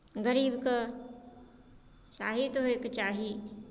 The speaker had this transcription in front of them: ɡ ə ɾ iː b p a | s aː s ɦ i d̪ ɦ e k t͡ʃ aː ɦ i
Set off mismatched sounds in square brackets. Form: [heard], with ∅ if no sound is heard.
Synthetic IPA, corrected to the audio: ɡ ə ɾ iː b [k] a | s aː [∅] ɦ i [t̪] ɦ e k t͡ʃ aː ɦ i